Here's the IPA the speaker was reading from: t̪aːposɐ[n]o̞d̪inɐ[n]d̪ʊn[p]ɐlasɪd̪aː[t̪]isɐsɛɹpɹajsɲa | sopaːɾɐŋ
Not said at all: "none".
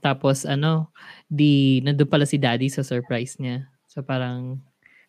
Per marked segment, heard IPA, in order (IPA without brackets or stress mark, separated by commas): n, n, p, d̪